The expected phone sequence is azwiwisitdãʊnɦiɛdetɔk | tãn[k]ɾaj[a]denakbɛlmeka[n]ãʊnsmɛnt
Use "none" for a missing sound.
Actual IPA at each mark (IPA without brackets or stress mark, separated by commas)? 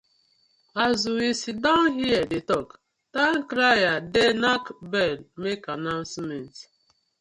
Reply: k, a, n